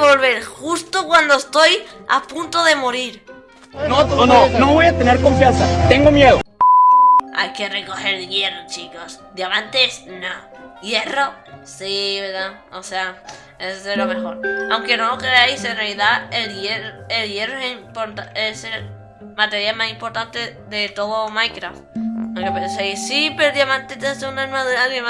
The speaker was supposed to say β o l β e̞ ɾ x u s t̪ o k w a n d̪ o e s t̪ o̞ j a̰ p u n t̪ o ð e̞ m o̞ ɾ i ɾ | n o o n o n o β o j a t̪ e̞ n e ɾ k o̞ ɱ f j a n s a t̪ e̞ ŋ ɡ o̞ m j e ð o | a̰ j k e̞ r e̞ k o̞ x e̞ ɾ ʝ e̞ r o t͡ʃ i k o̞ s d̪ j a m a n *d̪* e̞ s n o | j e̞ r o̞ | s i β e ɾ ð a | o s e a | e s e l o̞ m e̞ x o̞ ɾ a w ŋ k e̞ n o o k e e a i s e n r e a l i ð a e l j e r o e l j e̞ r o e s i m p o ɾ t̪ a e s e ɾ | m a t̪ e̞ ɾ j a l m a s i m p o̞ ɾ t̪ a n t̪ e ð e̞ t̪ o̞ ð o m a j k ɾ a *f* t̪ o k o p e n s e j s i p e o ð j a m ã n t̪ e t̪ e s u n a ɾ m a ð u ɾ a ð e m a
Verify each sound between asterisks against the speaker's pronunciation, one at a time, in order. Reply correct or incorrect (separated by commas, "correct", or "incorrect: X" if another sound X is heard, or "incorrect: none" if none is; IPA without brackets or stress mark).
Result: incorrect: t̪, correct